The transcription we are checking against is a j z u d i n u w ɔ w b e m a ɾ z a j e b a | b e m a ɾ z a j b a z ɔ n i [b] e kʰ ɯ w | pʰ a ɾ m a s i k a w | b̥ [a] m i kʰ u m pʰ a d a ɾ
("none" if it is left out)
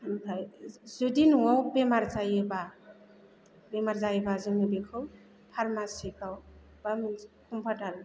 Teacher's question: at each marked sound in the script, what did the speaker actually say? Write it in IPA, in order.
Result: b, a

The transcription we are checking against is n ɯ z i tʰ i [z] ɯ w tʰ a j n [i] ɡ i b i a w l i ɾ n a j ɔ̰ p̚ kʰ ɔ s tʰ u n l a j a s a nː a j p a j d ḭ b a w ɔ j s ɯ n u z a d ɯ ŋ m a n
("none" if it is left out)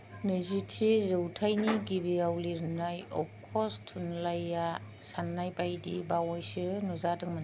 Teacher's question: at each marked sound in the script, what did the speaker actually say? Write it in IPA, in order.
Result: z, i

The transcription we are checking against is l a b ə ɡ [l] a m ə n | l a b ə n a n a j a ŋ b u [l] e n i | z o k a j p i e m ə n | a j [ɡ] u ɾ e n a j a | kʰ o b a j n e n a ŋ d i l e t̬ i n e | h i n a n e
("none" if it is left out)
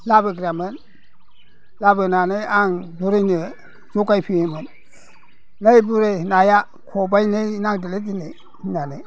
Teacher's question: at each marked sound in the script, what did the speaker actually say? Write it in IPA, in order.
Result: ɾ, ɾ, b

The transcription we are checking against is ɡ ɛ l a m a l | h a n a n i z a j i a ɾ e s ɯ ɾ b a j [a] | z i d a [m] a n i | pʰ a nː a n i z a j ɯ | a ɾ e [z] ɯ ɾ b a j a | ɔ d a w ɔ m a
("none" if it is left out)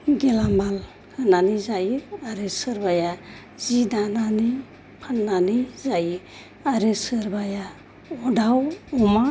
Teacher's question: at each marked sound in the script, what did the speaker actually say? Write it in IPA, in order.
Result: a, n, s

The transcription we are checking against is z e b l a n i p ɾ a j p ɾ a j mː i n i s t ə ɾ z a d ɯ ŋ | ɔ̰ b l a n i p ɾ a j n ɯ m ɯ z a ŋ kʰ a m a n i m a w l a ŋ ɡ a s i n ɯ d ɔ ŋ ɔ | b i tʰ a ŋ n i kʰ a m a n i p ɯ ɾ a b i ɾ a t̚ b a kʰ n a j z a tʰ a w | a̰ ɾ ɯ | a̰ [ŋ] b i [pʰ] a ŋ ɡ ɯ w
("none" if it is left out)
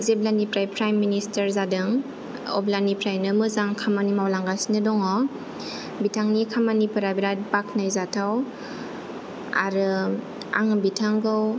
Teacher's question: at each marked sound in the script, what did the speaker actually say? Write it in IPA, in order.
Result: ŋ, tʰ

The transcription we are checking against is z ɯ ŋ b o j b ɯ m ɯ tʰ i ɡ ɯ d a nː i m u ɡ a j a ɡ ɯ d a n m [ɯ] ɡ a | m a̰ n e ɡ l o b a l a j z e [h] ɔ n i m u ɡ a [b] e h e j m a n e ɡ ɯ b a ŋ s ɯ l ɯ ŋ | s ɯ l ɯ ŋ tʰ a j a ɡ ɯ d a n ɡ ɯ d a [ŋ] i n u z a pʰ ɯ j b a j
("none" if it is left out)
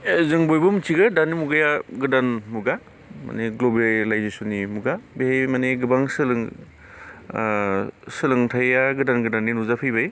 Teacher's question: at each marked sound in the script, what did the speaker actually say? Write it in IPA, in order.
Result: u, s, b, n

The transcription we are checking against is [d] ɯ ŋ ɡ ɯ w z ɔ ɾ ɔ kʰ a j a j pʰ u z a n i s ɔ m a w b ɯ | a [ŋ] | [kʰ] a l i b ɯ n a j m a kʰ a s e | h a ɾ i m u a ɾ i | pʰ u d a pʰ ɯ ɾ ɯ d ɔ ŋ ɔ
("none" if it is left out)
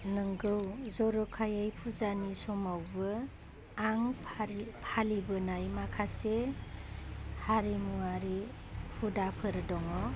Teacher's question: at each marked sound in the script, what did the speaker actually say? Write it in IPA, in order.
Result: n, ŋ, pʰ

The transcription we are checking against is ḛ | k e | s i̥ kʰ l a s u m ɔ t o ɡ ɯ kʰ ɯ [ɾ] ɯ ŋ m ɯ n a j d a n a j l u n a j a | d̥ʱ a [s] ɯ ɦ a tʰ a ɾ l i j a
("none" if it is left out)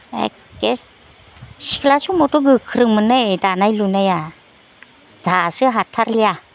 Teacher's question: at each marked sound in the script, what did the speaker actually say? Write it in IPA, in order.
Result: ɾ, s

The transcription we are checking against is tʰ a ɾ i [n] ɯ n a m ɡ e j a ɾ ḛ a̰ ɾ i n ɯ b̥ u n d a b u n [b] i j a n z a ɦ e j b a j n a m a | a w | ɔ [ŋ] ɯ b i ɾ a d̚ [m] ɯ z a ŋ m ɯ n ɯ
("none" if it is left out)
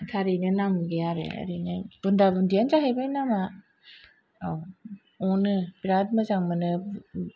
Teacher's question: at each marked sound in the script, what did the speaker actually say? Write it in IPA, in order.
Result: n, d, n, m

